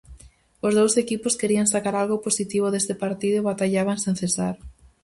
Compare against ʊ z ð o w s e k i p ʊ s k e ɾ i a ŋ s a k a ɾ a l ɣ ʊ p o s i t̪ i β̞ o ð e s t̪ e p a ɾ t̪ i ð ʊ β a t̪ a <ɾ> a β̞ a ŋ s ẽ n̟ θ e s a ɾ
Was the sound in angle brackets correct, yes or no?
no